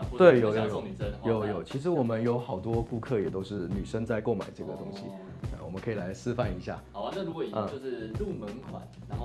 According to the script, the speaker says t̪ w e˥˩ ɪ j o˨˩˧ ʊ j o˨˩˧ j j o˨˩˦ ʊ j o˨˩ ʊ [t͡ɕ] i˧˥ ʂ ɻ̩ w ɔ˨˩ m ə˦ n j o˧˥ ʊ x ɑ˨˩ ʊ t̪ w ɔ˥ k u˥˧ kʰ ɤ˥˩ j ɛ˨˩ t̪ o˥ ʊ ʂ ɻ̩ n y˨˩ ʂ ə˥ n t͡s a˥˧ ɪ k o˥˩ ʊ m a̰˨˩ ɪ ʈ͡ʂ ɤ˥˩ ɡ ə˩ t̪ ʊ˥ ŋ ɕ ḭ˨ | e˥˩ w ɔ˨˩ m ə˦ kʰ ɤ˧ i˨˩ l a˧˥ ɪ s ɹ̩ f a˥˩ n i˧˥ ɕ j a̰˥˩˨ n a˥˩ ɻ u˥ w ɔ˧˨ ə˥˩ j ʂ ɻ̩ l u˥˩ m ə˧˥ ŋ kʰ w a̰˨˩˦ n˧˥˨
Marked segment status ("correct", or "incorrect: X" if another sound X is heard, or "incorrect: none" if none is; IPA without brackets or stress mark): incorrect: t͡ɕʰ